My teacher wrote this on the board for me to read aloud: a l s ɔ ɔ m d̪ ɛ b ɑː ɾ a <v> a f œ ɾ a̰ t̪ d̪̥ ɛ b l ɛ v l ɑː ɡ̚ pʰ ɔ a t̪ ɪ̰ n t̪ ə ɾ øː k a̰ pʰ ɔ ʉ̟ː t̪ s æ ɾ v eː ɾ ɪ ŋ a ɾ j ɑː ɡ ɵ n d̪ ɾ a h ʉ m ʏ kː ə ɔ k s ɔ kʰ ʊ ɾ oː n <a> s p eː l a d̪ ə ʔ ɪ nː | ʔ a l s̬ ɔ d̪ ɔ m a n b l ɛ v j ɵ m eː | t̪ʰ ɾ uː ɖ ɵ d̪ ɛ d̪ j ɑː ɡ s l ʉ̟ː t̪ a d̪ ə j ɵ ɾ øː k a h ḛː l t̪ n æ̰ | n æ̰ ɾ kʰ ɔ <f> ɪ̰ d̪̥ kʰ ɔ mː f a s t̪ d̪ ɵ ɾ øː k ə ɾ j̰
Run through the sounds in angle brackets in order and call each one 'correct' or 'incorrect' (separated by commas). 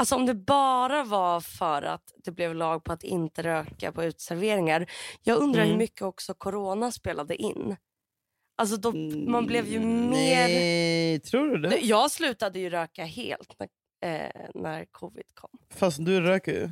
correct, correct, incorrect